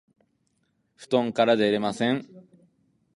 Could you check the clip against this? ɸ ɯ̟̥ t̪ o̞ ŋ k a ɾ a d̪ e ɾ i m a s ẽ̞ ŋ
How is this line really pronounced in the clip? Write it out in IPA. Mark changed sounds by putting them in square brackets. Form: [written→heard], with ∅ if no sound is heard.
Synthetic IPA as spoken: ɸ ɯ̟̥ t̪ [o̞→õ̞] ŋ k a ɾ a d̪ e ɾ [i→e] m a s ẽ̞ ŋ